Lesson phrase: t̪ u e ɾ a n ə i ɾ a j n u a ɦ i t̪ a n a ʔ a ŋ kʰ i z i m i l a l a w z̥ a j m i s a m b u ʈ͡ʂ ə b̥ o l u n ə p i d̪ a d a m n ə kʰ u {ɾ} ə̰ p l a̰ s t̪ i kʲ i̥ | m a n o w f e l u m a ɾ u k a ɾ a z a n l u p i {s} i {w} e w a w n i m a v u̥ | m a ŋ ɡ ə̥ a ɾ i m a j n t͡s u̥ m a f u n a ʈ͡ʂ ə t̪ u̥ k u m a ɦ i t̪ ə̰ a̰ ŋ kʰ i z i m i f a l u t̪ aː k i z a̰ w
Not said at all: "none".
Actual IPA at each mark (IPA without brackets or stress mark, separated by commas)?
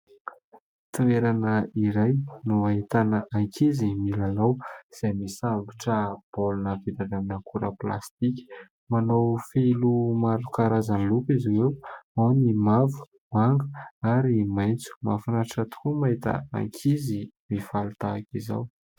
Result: ɾ, z, w